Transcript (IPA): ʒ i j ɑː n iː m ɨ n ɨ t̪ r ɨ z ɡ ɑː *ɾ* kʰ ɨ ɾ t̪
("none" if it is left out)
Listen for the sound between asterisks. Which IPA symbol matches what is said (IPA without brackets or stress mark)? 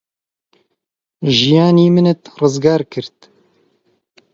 ɾ